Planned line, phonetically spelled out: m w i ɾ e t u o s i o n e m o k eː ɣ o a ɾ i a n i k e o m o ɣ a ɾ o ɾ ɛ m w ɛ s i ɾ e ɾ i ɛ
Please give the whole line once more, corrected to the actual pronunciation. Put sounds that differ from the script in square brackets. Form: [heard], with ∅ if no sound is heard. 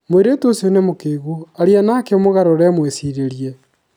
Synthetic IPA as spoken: m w [e] ɾ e t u o s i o n e m o k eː ɣ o a ɾ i a n [a] k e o m o ɣ a ɾ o ɾ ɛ m w [e] s i ɾ e ɾ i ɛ